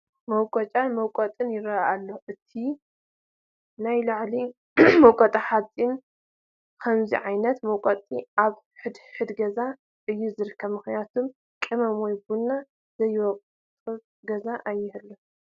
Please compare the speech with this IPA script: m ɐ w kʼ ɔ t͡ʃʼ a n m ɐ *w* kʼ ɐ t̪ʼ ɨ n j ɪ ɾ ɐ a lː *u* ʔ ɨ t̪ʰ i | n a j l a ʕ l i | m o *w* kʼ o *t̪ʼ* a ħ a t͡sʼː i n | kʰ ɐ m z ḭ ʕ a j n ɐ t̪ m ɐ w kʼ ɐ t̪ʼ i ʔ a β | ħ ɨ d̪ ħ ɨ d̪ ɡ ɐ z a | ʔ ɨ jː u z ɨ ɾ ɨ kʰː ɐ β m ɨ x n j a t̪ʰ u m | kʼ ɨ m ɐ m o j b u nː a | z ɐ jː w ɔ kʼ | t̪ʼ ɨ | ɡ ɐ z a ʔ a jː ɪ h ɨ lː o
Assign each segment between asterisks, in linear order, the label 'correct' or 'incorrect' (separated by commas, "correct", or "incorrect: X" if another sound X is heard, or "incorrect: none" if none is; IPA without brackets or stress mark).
correct, incorrect: o, correct, correct